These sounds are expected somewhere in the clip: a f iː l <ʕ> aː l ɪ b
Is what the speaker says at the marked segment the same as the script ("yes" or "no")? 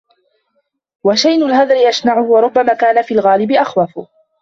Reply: no